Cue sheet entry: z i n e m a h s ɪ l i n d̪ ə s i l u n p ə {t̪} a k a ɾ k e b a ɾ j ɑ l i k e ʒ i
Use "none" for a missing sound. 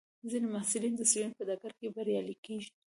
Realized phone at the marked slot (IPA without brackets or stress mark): d̪